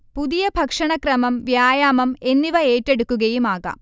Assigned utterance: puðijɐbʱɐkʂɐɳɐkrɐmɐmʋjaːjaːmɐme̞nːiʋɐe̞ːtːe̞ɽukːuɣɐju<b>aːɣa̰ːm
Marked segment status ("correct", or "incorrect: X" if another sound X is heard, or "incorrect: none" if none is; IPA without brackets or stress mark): incorrect: m